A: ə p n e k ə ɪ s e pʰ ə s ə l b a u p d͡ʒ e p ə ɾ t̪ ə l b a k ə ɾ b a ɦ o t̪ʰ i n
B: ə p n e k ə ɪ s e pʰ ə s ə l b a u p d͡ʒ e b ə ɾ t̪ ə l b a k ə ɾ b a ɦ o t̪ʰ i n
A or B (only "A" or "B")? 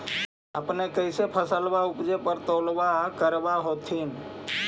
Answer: A